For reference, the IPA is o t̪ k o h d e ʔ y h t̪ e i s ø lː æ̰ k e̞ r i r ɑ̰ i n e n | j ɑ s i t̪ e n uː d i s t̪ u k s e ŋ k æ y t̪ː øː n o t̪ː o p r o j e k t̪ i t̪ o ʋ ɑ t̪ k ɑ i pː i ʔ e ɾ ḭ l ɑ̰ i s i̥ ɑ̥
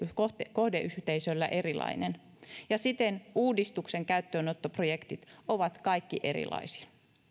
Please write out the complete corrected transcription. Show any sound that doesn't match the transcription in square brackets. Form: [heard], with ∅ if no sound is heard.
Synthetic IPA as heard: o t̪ k o h d e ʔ y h t̪ e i s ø lː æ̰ [ʔ] e̞ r i [l] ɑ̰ i n e n | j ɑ s i t̪ e n uː d i s t̪ u k s e ŋ k æ y t̪ː øː n o t̪ː o p r o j e k t̪ i t̪ o ʋ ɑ t̪ k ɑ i [kː] i ʔ e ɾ ḭ l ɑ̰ i s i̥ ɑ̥